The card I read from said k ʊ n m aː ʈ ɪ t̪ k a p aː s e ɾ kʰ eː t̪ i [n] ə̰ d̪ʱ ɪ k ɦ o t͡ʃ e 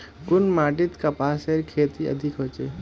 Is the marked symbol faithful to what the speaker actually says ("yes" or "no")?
no